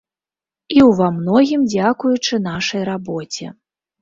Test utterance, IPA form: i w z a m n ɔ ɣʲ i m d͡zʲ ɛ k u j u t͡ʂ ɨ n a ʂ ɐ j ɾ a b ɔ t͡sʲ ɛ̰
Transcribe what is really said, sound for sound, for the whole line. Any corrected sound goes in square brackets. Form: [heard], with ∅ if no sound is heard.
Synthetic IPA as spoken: i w [v] a m n ɔ ɣʲ i m d͡zʲ [a] k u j u t͡ʂ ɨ n a ʂ ɐ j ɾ a b ɔ t͡sʲ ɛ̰